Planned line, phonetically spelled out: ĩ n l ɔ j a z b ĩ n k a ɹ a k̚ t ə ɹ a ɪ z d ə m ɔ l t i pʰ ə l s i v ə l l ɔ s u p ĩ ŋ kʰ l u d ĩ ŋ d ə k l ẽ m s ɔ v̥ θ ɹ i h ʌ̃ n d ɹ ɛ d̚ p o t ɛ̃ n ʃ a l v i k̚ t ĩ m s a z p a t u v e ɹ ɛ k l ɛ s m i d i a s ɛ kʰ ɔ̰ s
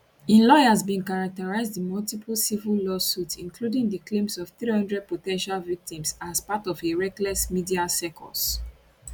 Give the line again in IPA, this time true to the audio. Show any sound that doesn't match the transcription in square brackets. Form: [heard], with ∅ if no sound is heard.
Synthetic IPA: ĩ n l ɔ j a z b ĩ n k a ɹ a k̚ t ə ɹ a ɪ z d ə m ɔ l t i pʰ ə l s i v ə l l ɔ s u [t] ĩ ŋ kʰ l u d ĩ ŋ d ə k l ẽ m s ɔ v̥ θ ɹ i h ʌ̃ n d ɹ ɛ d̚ p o t ɛ̃ n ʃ a l v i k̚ t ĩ m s a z p a t [ɔ] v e ɹ ɛ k l ɛ s m i d i a s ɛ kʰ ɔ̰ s